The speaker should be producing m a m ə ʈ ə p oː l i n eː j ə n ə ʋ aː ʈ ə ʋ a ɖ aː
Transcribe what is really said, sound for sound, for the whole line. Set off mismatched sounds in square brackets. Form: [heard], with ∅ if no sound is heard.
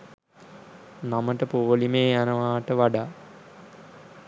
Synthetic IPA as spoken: [n] a m ə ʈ ə p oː l i [m] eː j [a] n ə ʋ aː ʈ ə ʋ a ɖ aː